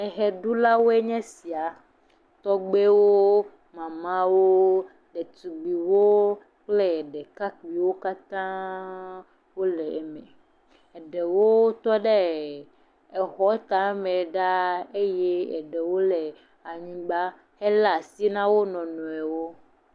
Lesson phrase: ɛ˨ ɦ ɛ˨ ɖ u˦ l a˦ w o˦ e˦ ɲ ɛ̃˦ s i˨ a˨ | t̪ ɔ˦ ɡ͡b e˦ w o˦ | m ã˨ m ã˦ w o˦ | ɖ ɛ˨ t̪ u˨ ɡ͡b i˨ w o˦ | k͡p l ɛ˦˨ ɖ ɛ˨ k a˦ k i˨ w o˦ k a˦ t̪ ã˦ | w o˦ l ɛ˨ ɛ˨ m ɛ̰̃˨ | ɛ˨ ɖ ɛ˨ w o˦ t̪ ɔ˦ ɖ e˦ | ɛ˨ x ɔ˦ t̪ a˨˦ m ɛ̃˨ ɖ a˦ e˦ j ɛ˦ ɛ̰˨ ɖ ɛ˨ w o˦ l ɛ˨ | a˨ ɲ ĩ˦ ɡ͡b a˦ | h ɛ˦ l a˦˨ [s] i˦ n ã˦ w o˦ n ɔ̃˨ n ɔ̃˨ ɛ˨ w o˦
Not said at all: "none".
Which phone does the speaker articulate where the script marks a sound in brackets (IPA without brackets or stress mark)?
s